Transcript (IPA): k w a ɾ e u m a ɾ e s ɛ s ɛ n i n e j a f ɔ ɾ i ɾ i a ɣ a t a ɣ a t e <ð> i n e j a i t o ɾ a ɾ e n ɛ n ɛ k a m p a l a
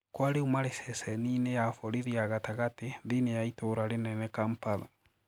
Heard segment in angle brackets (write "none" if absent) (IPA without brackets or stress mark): ð